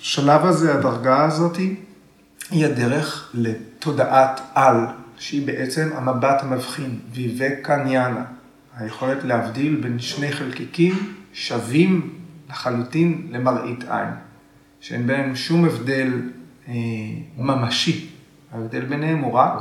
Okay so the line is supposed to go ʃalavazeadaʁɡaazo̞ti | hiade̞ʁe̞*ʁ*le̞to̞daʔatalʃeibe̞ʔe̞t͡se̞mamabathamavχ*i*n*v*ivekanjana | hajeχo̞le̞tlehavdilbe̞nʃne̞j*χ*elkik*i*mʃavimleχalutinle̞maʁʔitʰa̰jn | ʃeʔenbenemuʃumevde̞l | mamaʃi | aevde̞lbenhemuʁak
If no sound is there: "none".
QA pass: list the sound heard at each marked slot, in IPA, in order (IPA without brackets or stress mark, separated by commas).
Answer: χ, i, v, χ, i